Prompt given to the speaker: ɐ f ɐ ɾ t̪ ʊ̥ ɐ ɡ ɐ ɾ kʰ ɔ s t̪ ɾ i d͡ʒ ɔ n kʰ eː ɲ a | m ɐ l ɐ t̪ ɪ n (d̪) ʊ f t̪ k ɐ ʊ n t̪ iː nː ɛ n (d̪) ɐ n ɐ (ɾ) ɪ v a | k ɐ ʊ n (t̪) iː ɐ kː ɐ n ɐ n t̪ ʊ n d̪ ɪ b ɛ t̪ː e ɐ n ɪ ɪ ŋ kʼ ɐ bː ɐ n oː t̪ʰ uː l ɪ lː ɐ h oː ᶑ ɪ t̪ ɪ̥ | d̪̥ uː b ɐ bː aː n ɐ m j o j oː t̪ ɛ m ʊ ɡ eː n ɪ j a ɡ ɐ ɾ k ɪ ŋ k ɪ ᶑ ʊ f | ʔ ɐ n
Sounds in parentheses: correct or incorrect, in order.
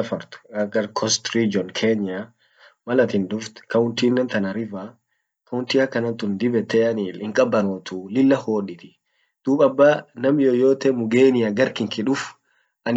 correct, incorrect, correct, correct

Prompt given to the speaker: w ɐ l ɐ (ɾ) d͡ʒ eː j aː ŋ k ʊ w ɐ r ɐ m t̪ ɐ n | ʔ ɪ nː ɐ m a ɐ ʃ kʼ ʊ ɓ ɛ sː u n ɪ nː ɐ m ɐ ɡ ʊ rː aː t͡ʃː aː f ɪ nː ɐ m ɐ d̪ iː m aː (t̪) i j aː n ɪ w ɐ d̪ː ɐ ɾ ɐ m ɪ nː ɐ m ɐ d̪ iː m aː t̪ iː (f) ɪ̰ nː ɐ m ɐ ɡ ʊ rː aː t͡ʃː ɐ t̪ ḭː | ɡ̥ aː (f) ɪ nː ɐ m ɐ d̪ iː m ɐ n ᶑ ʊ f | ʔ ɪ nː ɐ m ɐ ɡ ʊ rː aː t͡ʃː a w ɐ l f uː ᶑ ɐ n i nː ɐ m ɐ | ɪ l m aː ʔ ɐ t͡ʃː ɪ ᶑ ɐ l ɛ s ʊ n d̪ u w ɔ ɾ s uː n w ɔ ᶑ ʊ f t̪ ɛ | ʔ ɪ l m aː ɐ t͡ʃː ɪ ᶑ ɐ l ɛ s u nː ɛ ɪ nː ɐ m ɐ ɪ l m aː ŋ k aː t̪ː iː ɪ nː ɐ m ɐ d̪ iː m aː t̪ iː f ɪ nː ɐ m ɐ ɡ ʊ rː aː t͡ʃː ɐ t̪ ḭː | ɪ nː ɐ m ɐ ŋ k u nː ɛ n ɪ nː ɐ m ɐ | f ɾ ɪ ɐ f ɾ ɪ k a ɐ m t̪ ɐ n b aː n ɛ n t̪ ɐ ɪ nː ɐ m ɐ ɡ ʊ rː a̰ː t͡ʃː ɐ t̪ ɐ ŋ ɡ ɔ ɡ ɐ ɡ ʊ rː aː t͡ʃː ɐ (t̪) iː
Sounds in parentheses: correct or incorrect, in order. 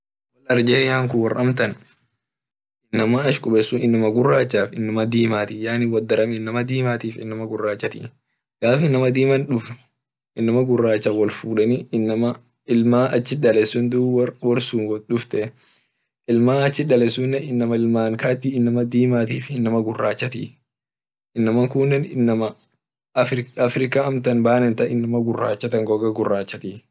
correct, correct, correct, correct, correct

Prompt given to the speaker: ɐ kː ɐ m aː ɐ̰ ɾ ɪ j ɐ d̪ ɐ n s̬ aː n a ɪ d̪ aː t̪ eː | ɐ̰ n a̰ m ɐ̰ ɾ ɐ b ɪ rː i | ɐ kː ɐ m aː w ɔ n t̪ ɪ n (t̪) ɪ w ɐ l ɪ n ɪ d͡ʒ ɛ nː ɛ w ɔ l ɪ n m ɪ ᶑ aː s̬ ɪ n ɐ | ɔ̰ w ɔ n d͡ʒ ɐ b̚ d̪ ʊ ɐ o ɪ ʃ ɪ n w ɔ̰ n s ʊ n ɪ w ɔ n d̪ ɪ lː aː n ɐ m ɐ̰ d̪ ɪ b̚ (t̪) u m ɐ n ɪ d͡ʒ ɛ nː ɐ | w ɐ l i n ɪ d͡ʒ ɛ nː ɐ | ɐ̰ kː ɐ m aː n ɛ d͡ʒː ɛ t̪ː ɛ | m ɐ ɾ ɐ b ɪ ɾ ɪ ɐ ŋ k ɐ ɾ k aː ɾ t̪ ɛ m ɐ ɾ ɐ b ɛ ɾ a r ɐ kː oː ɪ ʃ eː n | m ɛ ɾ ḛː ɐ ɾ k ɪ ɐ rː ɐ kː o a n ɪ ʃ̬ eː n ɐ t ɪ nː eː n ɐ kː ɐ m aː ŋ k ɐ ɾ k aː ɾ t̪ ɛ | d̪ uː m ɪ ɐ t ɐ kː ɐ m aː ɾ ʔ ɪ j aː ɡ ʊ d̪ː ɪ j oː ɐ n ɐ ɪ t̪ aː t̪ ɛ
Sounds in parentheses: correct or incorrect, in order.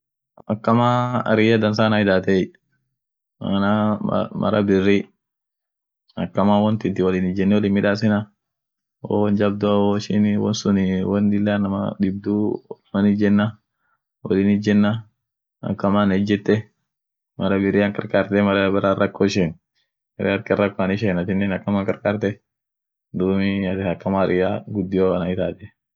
correct, incorrect

